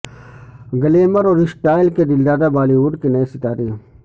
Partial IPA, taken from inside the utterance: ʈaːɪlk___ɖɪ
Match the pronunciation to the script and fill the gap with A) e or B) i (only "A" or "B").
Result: A